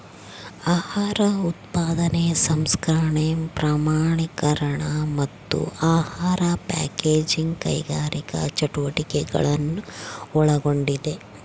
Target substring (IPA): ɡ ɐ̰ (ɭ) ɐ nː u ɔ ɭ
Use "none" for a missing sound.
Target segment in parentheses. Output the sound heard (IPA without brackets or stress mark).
ɭ